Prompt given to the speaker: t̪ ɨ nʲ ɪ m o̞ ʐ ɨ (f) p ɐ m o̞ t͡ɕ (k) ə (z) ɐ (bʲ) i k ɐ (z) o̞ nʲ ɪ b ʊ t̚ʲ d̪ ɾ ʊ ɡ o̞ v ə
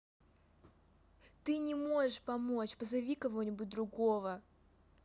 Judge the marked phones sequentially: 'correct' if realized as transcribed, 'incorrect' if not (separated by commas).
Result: incorrect, incorrect, correct, incorrect, incorrect